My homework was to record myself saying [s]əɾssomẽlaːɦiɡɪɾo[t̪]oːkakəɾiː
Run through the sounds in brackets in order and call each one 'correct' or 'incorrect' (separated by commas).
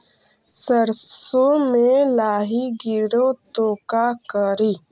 correct, correct